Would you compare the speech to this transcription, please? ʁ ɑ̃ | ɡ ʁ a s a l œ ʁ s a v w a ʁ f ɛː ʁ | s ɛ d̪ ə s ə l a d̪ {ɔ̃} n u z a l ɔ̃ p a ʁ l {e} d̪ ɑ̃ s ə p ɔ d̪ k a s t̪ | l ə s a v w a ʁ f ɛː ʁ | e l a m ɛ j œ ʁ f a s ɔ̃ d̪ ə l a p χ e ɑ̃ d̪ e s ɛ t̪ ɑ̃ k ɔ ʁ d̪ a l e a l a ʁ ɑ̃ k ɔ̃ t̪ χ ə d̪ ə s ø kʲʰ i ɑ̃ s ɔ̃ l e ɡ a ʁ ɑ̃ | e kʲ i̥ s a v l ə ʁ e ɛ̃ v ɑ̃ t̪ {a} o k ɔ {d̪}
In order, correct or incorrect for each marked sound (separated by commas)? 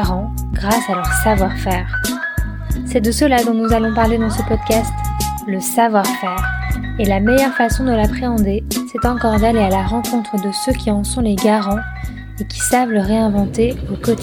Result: correct, correct, incorrect, incorrect